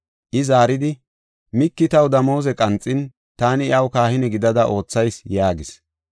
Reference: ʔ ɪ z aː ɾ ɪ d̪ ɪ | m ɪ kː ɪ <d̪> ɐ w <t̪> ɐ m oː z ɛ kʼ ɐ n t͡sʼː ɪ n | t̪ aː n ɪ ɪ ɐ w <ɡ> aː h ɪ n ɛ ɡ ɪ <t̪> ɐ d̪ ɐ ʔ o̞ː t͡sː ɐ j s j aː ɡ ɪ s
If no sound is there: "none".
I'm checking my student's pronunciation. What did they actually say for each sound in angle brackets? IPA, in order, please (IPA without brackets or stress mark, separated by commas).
t̪, d̪, k, d̪